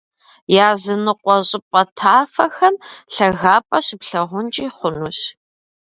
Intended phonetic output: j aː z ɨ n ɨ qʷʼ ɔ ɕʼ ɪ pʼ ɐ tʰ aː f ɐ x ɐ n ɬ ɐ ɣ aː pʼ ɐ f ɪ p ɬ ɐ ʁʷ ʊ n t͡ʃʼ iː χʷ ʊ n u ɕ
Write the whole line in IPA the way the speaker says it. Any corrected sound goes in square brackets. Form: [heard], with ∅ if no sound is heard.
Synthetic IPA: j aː z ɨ n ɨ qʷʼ ɔ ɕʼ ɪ pʼ ɐ tʰ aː f ɐ x ɐ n ɬ ɐ ɣ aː pʼ ɐ [ɕ] ɪ p ɬ ɐ ʁʷ ʊ n t͡ʃʼ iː χʷ ʊ n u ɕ